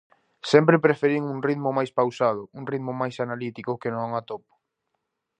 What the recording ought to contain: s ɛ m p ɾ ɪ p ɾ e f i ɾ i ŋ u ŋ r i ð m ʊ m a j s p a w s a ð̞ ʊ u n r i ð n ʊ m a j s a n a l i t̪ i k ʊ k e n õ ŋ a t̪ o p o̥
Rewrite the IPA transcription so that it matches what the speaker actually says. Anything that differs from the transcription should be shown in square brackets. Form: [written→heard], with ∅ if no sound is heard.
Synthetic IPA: s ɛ m p ɾ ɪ p ɾ e f [i→e] ɾ i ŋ u ŋ r i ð m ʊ m a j s p a w s a ð̞ ʊ u [n→ŋ] r i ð [n→m] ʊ m a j s a n a l i t̪ i k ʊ k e n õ ŋ a t̪ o p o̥